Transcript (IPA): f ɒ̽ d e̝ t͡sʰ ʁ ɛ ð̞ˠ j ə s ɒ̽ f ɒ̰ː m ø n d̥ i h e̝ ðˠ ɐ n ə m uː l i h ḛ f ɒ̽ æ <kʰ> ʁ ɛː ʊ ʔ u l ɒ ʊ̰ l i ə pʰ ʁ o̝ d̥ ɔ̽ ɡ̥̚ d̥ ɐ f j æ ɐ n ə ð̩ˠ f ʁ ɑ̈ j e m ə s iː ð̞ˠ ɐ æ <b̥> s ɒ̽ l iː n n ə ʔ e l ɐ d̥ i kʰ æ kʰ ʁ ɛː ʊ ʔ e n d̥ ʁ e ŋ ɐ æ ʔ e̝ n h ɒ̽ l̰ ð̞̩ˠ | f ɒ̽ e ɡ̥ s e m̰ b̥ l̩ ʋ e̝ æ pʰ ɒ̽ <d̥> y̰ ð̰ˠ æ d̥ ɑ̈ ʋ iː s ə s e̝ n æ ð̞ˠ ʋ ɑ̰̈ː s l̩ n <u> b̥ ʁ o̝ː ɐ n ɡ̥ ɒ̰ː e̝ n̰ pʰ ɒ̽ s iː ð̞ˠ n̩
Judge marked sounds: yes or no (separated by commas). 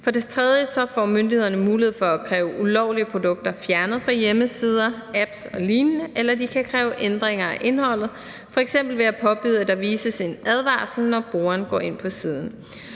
yes, yes, no, no